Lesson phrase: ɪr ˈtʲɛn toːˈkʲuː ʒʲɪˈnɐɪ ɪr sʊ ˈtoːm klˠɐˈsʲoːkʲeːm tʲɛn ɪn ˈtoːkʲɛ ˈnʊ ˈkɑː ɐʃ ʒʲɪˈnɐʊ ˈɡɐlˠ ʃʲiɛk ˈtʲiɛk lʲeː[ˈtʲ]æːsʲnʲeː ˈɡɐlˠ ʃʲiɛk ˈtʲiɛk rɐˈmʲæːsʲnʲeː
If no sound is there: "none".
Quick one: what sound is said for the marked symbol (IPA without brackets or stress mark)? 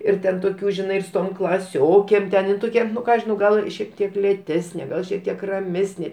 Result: tʲ